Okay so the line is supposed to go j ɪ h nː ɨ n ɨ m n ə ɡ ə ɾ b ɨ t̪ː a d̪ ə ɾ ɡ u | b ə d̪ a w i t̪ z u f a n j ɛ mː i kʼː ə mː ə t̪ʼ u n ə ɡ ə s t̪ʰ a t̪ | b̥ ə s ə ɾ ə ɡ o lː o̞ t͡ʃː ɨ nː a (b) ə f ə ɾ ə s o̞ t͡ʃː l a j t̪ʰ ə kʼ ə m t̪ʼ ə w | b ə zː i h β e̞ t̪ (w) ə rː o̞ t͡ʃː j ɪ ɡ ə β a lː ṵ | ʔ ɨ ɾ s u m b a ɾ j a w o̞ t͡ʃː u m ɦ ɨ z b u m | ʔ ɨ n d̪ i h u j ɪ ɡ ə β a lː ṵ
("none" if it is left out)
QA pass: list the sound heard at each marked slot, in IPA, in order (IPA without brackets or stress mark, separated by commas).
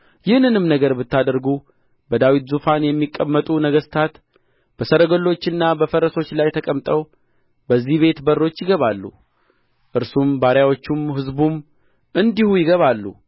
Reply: b, b